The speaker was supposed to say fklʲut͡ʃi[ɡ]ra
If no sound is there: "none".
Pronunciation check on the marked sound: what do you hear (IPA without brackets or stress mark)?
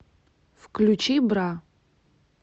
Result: b